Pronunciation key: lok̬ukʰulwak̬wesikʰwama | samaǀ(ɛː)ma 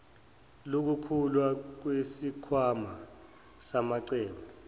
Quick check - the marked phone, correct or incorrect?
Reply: correct